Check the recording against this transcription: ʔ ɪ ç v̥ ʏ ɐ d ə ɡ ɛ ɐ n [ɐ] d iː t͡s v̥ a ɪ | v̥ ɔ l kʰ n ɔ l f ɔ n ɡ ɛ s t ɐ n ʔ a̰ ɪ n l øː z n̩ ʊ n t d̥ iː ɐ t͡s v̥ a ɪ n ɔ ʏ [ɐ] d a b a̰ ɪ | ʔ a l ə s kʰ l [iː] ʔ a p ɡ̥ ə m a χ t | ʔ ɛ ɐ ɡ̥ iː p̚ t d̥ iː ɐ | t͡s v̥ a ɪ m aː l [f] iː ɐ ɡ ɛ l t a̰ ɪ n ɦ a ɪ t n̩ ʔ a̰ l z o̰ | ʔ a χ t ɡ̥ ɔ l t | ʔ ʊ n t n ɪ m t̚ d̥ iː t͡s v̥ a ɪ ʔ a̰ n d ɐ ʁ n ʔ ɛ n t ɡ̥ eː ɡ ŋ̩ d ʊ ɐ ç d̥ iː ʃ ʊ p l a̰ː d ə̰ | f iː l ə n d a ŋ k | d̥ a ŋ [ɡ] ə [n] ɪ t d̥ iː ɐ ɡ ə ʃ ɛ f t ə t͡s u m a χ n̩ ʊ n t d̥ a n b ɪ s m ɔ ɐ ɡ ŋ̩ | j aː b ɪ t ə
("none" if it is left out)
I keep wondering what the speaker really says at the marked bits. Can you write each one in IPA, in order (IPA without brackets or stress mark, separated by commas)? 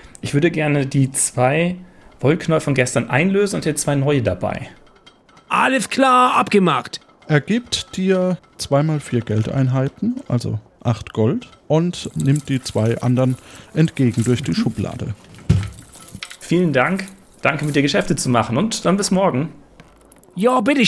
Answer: ə, ə, aː, f, k, m